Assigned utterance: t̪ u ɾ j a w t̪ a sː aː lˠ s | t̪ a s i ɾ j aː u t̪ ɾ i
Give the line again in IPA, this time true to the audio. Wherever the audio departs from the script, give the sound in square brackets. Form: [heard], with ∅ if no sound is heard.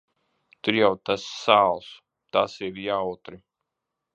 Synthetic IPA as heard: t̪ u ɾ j a w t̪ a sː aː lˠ s | t̪ a s i ɾ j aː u t̪ ɾ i